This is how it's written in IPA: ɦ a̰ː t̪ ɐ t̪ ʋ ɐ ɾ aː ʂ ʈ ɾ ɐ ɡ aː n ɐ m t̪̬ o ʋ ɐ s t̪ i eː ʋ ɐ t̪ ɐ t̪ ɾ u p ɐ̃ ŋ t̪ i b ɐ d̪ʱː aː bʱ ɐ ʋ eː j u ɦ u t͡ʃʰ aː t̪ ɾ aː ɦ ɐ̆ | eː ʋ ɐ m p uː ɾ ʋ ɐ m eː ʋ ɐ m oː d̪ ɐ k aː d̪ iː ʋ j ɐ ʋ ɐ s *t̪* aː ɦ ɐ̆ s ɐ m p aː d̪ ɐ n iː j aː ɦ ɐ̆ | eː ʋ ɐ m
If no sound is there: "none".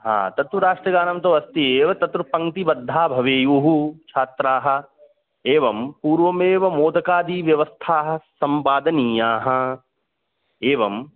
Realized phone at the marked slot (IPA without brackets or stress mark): t̪ʰ